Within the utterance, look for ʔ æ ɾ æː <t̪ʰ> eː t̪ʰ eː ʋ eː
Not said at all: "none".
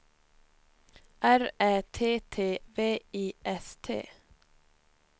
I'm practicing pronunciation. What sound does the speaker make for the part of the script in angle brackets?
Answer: t̪ʰ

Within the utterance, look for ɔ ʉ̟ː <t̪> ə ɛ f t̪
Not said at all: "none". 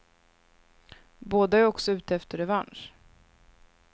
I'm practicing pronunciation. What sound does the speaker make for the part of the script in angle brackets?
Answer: t̪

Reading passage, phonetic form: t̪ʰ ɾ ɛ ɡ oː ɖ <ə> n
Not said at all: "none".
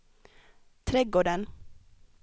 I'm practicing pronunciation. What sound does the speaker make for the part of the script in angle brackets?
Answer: ə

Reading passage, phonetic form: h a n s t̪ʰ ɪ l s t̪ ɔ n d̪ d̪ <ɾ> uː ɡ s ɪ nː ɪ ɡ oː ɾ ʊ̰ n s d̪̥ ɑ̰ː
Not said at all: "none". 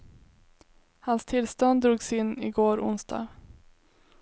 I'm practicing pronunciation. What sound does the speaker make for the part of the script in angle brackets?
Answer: ɾ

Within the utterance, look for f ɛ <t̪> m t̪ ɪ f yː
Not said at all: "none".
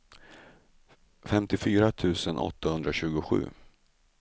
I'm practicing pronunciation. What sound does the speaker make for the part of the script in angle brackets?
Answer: none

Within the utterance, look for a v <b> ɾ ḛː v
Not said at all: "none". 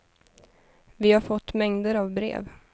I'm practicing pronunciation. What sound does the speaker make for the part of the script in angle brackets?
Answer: b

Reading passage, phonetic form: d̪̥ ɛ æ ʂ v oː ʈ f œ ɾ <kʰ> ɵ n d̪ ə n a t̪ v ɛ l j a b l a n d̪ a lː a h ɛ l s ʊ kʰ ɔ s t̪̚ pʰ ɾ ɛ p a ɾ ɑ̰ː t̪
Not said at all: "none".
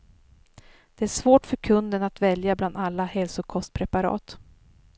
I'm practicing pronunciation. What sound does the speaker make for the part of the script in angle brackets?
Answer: kʰ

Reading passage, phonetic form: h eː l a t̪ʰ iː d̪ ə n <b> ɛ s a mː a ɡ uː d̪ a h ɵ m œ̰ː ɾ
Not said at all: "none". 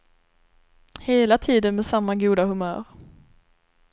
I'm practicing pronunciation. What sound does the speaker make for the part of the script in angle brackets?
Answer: m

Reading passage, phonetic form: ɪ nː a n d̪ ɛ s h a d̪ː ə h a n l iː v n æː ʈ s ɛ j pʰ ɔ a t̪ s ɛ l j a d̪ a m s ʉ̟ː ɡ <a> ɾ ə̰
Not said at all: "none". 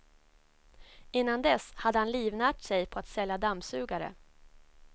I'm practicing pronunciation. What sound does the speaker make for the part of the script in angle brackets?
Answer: a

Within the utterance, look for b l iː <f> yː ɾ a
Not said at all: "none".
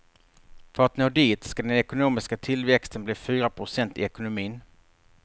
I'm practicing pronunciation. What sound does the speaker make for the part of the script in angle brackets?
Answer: f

